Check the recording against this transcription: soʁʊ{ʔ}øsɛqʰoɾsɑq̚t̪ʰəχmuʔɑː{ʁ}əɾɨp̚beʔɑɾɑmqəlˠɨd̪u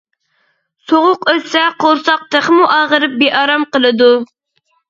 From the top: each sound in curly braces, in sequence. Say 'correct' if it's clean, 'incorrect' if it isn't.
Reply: incorrect, correct

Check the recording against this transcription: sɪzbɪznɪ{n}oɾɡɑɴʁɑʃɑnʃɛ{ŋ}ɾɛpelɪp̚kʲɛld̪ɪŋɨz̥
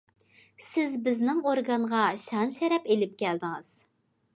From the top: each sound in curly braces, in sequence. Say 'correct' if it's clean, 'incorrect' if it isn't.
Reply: incorrect, incorrect

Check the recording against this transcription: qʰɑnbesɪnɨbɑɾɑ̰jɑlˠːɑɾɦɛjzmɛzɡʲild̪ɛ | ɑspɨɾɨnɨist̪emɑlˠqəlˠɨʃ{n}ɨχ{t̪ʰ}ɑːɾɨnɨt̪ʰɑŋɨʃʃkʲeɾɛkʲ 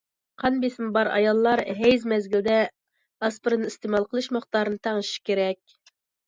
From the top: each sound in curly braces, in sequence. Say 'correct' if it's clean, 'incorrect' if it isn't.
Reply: incorrect, incorrect

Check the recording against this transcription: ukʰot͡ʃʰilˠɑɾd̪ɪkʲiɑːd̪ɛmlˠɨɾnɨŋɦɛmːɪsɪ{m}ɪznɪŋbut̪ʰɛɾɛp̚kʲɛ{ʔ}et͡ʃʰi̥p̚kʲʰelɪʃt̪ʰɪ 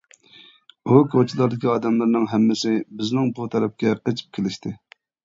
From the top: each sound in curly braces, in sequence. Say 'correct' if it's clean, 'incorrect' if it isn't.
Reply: incorrect, incorrect

